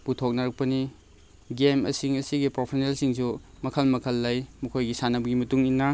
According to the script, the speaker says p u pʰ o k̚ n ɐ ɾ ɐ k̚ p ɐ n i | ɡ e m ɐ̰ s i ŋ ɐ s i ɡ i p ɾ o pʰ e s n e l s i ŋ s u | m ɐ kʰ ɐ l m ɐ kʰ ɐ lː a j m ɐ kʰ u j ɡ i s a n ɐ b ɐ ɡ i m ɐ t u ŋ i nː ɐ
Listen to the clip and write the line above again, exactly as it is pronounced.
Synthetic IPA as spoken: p u tʰ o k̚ n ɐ ɾ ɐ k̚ p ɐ n i | ɡ e m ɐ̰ s i ŋ ɐ s i ɡ i p ɾ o pʰ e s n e l s i ŋ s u | m ɐ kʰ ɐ l m ɐ kʰ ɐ lː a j m ɐ kʰ o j ɡ i s a n ɐ b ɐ ɡ i m ɐ t u ŋ i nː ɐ